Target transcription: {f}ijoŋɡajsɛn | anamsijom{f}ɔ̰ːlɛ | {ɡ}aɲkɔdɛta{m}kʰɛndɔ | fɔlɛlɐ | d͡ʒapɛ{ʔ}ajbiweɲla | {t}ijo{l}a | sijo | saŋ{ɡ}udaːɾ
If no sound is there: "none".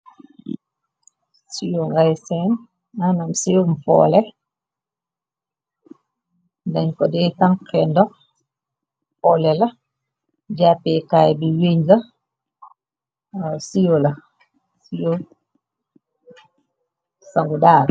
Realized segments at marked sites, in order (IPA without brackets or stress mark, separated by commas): s, f, d, ŋ, k, s, l, ɡ